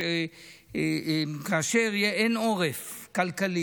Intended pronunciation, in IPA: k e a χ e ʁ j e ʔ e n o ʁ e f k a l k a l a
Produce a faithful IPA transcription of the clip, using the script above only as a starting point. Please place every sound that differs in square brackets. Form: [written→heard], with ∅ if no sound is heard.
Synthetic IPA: k [e→a] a [χ→ʃ] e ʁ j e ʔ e n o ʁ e f k a l k a l [a→i]